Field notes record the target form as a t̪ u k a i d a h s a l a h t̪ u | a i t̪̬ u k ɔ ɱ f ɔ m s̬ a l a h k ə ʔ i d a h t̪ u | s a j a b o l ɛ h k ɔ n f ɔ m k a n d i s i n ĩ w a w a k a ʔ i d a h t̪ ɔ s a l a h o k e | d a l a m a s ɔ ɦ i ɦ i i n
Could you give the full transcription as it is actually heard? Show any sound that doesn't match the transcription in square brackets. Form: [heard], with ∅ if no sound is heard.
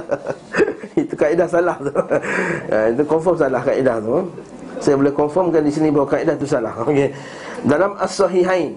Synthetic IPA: [i] t̪ u k a i d a h s a l a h t̪ u | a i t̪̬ u k ɔ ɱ f ɔ m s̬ a l a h k [a] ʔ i d a h t̪ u | s a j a b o l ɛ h k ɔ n f ɔ m k a n d i s i n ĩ [b] a w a k a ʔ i d a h t̪ [u] s a l a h o k e | d a l a m a s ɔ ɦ i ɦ [a] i n